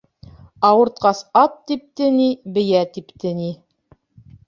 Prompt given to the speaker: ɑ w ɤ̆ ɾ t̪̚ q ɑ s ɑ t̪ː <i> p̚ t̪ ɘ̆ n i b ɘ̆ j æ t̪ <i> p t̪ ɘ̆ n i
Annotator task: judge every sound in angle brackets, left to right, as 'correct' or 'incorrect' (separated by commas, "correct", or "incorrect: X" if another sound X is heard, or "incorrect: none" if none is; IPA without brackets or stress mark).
correct, correct